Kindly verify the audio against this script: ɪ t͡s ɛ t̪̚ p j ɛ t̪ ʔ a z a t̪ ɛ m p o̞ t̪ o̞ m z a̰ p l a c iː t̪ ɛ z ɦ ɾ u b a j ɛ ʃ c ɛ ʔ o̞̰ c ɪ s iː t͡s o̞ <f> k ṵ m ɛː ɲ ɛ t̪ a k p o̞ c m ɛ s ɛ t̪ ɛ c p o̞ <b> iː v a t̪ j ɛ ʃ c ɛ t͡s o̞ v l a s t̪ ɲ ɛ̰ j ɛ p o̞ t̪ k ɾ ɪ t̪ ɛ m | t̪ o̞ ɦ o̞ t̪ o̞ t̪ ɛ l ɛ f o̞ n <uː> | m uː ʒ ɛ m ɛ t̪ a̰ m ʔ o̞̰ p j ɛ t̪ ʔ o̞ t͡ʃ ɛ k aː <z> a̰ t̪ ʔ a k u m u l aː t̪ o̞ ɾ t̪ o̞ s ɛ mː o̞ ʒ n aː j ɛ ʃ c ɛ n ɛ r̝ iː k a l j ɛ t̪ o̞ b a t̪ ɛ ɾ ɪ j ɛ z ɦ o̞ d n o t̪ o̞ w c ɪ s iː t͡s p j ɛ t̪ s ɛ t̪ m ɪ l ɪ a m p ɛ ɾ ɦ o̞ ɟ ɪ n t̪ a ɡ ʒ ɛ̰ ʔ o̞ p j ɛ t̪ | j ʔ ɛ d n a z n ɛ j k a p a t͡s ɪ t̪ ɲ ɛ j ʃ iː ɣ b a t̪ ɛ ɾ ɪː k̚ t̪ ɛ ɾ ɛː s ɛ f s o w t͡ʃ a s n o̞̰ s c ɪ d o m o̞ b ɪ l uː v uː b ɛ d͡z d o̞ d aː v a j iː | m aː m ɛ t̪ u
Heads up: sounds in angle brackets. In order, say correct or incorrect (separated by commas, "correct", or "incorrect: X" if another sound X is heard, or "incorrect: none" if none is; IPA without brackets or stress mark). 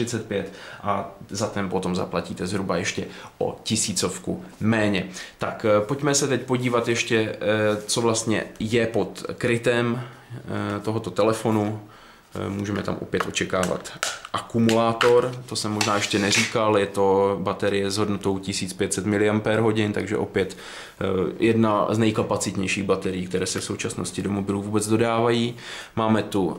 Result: correct, incorrect: ɟ, incorrect: u, incorrect: v